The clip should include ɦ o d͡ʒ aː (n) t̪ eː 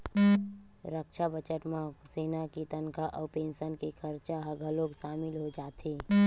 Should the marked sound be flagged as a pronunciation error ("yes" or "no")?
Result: yes